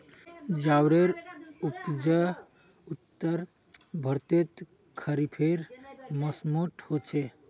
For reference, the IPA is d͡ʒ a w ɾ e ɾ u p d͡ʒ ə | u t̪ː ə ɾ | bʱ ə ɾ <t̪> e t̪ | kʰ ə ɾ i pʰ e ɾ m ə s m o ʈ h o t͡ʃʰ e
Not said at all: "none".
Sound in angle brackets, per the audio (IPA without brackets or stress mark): t̪